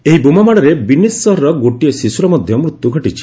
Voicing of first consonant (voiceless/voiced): voiced